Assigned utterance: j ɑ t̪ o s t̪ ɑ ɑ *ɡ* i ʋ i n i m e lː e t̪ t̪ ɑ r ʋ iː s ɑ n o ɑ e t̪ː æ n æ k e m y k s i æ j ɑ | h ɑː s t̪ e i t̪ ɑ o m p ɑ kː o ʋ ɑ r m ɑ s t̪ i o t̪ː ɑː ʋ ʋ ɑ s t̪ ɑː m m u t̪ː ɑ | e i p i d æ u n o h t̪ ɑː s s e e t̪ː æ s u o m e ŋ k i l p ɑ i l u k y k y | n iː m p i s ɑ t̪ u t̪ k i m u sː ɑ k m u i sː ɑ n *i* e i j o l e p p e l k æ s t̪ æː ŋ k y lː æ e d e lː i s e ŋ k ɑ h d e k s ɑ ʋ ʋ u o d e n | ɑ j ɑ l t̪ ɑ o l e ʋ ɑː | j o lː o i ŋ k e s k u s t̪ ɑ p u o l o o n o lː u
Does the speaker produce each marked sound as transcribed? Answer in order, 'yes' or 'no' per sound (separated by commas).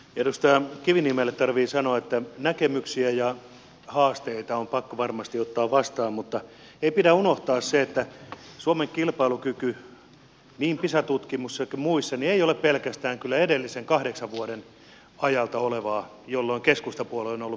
no, yes